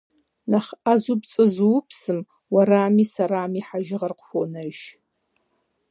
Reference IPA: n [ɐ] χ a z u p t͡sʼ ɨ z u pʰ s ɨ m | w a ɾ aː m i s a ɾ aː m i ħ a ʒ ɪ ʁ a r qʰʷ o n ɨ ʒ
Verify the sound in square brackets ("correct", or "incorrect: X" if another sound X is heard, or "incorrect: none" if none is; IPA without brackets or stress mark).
incorrect: a